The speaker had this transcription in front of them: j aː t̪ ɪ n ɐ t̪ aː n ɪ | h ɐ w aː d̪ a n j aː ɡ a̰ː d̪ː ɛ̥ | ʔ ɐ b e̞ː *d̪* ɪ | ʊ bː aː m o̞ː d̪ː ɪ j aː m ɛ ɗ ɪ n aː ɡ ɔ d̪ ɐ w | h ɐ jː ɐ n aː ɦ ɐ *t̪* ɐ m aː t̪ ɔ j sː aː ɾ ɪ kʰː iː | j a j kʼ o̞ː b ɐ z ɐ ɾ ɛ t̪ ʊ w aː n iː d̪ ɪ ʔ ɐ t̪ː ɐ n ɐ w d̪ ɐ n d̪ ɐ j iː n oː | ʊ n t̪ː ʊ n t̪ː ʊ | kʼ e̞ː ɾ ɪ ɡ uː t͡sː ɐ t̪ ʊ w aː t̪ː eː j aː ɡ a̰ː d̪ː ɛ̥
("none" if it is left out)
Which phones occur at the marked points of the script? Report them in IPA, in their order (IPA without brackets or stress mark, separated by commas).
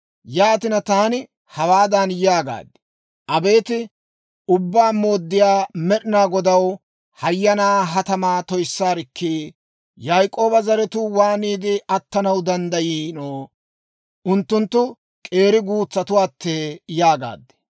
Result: t̪, t̪